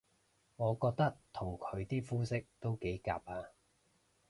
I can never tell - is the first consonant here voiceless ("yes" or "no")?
no